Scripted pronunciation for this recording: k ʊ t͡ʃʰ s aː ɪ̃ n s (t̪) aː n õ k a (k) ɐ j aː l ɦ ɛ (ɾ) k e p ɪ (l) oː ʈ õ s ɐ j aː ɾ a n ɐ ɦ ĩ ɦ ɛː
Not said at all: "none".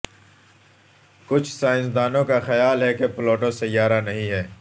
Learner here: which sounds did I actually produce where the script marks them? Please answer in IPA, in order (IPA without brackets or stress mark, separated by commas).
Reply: d̪, x, none, l